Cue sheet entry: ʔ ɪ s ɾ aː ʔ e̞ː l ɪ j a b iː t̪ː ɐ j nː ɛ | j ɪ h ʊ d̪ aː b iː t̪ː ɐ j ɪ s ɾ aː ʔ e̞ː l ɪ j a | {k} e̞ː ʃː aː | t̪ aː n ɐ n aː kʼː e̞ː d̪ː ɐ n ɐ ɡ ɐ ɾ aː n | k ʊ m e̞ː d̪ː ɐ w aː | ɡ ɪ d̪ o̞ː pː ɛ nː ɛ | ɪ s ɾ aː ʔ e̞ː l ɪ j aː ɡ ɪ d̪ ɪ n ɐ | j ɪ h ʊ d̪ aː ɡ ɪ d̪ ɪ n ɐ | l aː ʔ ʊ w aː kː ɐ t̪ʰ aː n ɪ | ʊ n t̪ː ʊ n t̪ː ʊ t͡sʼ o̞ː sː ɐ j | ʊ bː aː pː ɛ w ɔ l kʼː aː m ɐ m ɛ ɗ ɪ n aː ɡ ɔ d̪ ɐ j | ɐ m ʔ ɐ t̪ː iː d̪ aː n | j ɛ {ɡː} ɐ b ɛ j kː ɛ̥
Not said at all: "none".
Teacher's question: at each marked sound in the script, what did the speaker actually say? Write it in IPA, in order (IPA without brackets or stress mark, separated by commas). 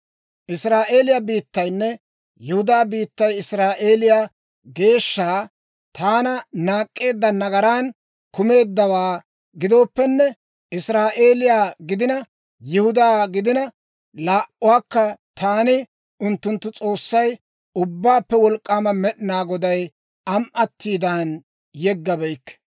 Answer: ɡ, ɡː